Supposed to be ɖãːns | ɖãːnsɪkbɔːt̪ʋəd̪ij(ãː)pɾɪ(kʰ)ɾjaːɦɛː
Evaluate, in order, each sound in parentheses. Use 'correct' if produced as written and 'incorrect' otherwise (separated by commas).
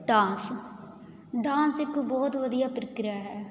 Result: incorrect, incorrect